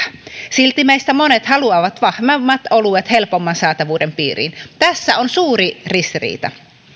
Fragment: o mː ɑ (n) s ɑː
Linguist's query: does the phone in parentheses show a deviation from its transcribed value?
no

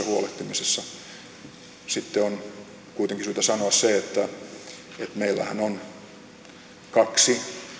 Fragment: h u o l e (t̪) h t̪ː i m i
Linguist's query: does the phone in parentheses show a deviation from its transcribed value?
yes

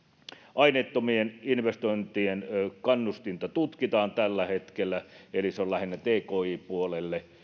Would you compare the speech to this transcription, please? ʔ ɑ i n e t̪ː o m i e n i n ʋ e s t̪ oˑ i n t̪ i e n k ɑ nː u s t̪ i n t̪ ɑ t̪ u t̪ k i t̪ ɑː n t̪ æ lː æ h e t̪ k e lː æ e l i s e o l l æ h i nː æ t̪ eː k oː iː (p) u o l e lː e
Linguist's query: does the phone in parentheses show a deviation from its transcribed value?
no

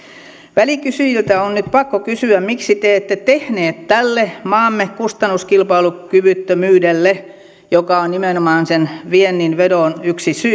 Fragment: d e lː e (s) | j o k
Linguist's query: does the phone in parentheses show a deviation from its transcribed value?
yes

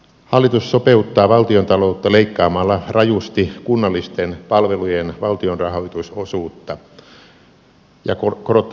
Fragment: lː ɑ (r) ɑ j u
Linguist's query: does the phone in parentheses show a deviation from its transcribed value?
no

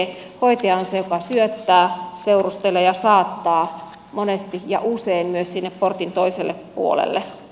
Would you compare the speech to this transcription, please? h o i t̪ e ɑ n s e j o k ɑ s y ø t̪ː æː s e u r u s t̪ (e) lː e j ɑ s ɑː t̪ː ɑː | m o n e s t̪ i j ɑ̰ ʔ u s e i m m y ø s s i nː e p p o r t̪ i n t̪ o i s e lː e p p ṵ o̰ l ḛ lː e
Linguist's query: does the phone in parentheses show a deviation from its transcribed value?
no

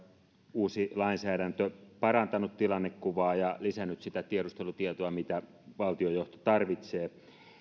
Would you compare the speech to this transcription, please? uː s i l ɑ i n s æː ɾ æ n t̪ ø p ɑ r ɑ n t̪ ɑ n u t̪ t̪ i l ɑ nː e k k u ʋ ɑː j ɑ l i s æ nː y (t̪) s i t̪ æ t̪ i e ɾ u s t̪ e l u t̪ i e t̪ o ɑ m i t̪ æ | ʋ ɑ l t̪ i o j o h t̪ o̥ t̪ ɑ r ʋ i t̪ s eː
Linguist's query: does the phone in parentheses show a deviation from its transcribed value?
no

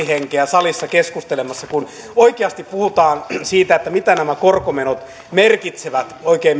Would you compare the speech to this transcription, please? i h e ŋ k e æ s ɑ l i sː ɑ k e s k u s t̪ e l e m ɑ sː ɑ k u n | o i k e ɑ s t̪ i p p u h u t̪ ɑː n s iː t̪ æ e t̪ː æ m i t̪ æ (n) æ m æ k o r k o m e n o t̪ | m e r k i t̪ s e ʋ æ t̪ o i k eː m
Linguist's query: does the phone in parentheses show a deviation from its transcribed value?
no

